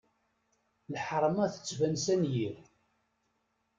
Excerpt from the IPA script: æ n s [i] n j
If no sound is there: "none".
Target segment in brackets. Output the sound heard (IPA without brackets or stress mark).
æ